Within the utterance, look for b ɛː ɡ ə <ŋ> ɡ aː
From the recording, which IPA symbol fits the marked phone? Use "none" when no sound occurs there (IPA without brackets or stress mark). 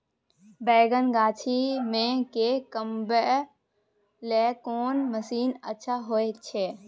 n